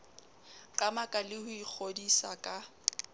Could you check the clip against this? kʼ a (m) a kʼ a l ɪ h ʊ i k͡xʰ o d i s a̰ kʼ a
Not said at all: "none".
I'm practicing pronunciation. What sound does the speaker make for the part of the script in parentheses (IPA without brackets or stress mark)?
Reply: m